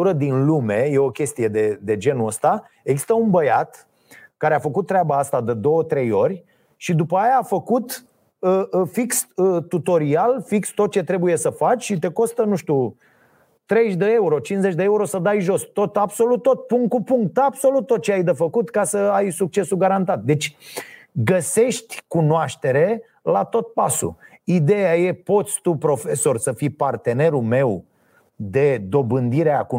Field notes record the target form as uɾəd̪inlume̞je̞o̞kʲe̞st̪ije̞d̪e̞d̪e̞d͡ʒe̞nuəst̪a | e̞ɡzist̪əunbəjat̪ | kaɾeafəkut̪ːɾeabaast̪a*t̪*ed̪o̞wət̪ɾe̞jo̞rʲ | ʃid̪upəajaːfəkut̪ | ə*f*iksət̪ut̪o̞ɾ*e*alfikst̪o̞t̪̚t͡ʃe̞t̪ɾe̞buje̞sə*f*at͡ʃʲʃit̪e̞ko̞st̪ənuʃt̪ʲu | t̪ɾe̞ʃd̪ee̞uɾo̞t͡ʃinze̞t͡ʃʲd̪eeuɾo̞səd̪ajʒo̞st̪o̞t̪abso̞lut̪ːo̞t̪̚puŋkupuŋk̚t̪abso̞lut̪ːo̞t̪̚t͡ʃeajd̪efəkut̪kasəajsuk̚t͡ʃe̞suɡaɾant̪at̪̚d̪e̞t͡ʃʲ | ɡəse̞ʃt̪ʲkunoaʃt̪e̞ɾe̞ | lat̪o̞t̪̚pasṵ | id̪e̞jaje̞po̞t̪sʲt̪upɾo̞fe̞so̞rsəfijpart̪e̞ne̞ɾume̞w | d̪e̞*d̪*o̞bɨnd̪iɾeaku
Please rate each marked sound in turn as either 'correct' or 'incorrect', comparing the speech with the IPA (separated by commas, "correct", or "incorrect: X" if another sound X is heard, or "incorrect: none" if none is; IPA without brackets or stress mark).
incorrect: d̪, correct, incorrect: i, correct, correct